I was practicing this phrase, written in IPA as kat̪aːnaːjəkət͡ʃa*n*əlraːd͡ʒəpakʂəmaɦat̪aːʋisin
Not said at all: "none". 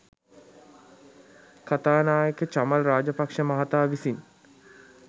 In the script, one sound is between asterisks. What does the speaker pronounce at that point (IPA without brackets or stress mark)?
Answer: m